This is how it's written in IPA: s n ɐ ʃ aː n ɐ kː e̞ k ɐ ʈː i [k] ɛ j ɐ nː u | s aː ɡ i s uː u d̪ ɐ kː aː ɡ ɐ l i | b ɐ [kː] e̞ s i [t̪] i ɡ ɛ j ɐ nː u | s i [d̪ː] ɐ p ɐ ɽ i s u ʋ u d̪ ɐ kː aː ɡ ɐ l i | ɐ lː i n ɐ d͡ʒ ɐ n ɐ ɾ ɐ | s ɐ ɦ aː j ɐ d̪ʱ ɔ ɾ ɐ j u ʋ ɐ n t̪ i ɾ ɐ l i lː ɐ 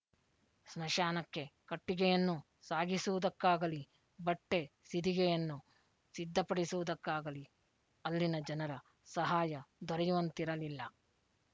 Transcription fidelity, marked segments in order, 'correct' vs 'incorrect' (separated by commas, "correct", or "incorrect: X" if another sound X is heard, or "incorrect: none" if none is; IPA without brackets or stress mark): incorrect: ɡ, incorrect: ʈː, incorrect: d̪, correct